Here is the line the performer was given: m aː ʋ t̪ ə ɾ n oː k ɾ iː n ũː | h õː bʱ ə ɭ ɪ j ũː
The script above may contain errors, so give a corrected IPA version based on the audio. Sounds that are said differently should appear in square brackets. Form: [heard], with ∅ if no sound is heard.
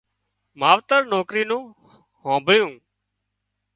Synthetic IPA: m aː ʋ t̪ ə ɾ n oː k ɾ iː n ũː | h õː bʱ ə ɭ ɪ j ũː